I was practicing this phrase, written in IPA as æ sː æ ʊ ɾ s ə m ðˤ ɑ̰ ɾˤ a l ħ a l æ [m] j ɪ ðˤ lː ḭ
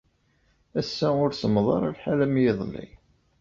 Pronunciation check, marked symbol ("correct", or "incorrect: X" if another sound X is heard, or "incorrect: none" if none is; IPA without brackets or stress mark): correct